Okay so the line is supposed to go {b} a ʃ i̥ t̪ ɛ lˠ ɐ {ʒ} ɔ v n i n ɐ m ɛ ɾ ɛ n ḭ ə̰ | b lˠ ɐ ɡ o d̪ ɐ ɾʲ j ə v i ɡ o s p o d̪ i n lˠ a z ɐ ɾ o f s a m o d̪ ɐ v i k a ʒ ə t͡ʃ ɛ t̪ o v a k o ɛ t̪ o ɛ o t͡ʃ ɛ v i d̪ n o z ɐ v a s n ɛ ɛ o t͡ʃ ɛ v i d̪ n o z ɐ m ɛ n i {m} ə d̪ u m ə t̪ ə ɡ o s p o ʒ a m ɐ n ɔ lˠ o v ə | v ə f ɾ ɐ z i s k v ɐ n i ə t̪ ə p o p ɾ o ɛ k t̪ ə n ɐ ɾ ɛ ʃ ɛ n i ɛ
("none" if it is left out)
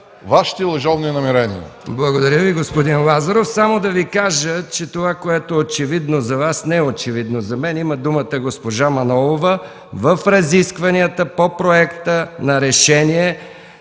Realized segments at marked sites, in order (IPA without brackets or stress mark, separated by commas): v, ʒ, m